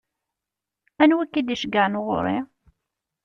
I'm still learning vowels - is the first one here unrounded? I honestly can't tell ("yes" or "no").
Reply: yes